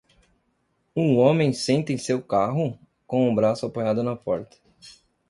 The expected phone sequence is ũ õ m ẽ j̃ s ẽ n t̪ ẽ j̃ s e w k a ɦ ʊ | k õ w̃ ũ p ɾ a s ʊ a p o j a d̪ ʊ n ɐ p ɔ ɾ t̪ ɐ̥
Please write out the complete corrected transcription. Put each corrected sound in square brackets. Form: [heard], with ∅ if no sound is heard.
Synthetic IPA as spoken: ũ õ m ẽ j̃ s ẽ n t̪ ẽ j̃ s e w k a ɦ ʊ | k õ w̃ ũ [b] ɾ a s ʊ a p o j a d̪ ʊ n ɐ p ɔ ɾ t̪ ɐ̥